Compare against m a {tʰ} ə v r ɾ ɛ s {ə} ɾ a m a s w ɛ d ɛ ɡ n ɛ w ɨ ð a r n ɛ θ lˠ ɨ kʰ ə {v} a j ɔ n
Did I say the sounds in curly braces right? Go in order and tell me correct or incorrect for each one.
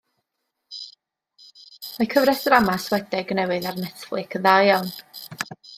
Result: incorrect: kʰ, correct, incorrect: ð

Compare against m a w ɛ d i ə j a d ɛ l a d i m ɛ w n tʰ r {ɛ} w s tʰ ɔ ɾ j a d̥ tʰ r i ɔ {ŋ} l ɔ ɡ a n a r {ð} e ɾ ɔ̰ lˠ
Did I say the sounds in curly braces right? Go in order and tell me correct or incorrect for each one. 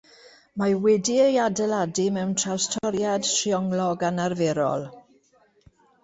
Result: incorrect: a, correct, incorrect: v

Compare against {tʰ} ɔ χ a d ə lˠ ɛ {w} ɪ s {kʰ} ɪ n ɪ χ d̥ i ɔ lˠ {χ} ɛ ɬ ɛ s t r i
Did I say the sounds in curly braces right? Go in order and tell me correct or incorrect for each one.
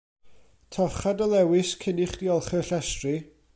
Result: correct, correct, correct, correct

